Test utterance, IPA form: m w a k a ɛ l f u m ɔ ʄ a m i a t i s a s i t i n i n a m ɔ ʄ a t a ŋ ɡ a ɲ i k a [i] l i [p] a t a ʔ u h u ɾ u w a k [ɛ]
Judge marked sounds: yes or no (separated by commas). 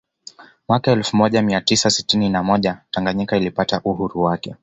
yes, yes, yes